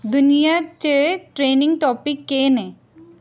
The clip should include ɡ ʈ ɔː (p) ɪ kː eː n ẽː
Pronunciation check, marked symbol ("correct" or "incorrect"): correct